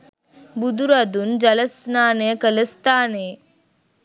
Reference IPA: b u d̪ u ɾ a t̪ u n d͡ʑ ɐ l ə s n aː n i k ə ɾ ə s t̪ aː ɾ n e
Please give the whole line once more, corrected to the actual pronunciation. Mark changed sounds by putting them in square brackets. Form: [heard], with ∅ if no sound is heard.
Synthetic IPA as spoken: b u d̪ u ɾ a [d̪] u n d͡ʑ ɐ l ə s n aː n [e] k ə [l] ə s t̪ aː [∅] n e